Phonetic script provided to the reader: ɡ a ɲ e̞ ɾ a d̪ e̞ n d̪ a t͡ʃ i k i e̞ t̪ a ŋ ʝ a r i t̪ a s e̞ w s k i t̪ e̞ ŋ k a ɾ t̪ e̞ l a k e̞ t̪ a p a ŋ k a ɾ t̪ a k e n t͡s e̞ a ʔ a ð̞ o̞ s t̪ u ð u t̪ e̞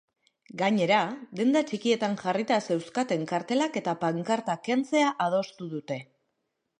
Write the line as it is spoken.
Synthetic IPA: ɡ a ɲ e̞ ɾ a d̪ e̞ n d̪ a t͡ʃ i k i e̞ t̪ a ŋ ʝ a r i t̪ a s e̞ w s k a t̪ e̞ ŋ k a ɾ t̪ e̞ l a k e̞ t̪ a p a ŋ k a ɾ t̪ a k e n t͡s e̞ a ʔ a ð̞ o̞ s t̪ u ð u t̪ e̞